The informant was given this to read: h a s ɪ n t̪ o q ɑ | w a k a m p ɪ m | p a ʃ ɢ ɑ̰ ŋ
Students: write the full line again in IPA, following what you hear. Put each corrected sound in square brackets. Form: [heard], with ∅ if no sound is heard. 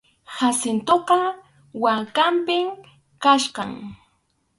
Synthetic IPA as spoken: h a s ɪ n t̪ o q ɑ | w a k a m p ɪ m | [k] a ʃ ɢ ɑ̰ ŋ